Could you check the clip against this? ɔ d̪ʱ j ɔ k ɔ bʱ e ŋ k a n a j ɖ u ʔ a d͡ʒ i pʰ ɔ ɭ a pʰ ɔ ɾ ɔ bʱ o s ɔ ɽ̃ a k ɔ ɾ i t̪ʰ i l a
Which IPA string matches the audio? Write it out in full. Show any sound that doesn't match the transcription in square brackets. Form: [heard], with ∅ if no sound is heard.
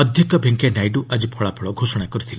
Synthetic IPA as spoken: ɔ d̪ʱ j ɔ k ɔ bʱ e ŋ k [e] n a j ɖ u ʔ a d͡ʒ i pʰ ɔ ɭ a pʰ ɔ [ɭ] ɔ [ɡʱ] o s ɔ ɽ̃ a k ɔ ɾ i t̪ʰ i l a

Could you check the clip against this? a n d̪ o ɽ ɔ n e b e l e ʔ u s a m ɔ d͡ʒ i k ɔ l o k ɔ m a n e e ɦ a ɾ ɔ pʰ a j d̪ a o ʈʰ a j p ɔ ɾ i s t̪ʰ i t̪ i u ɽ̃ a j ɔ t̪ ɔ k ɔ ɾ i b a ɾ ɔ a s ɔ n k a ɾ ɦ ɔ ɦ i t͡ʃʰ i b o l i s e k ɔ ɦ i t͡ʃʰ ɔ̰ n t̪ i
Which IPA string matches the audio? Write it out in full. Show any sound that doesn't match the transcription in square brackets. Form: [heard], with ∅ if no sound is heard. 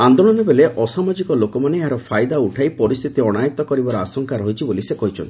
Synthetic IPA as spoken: a n d̪ o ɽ ɔ n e b e l e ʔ [ɔ] s a m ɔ d͡ʒ i k ɔ l o k ɔ m a n e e ɦ a ɾ ɔ pʰ a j d̪ a [u] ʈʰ a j p ɔ ɾ i s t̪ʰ i t̪ i [ɔ] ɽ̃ a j ɔ t̪ ɔ k ɔ ɾ i b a ɾ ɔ a s ɔ [ŋ] k a ɾ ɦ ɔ ɦ i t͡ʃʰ i b o l i s e k ɔ ɦ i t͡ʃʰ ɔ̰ n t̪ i

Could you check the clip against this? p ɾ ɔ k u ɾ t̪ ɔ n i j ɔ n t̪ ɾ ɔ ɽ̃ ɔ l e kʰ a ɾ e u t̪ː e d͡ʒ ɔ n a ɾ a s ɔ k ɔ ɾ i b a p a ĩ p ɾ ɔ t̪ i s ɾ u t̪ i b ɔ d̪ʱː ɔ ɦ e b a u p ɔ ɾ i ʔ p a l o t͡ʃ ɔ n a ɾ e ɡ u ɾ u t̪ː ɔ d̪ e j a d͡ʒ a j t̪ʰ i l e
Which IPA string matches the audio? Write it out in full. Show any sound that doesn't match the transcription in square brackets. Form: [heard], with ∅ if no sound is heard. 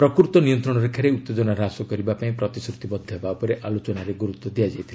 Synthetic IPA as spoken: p ɾ ɔ k u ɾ t̪ ɔ n i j ɔ n t̪ ɾ ɔ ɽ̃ ɔ [ɾ] e kʰ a ɾ e u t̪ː e d͡ʒ ɔ n a ɾ a s ɔ k ɔ ɾ i b a p a ĩ p ɾ ɔ t̪ i s ɾ u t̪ i b ɔ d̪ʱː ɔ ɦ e b a u p ɔ ɾ [e] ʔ [ʔ] a l o t͡ʃ ɔ n a ɾ e ɡ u ɾ u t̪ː ɔ d̪ [i] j a d͡ʒ a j t̪ʰ i l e

